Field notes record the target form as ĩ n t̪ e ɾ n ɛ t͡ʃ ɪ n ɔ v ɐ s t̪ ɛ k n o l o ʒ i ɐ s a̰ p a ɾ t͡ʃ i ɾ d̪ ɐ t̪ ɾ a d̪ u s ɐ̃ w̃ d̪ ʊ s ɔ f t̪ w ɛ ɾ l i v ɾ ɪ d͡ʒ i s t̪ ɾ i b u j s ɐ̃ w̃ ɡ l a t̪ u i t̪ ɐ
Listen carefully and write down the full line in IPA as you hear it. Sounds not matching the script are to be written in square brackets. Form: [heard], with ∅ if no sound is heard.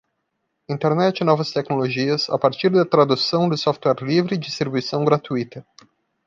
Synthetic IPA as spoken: ĩ n t̪ e ɾ n ɛ t͡ʃ ɪ n ɔ v ɐ s t̪ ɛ k n o l o ʒ i ɐ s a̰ p a ɾ t͡ʃ i ɾ d̪ ɐ t̪ ɾ a d̪ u s ɐ̃ w̃ d̪ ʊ s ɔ f t̪ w ɛ ɾ l i v ɾ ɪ d͡ʒ i s t̪ ɾ i b u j s ɐ̃ w̃ ɡ [ɾ] a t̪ u i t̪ ɐ